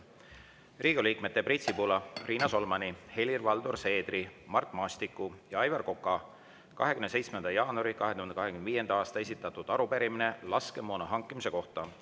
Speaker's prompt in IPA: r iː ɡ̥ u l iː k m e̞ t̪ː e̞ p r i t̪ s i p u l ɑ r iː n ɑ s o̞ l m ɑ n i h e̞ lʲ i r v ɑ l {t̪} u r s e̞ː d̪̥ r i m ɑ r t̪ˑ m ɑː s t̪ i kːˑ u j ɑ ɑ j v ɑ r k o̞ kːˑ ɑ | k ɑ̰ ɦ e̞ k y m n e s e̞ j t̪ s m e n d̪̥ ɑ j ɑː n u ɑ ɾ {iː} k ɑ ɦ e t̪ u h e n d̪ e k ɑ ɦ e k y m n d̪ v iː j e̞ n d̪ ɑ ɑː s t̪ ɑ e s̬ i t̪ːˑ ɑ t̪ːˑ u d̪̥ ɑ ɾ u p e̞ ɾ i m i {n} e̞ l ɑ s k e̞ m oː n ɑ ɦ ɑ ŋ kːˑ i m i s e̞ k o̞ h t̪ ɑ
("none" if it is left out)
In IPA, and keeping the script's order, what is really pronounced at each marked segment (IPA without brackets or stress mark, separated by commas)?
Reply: d̪, i, n